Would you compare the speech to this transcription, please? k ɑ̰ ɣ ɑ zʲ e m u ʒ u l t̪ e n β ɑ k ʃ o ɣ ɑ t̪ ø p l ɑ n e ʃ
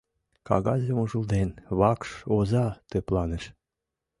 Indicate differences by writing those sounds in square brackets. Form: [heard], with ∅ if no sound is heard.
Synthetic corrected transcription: k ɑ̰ ɣ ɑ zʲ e m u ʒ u l [d̪] e n β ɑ k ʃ o [z] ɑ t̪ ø p l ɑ n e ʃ